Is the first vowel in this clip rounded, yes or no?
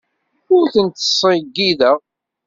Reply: yes